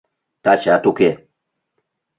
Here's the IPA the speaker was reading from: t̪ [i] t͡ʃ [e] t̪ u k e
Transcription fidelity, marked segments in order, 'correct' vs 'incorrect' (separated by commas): incorrect, incorrect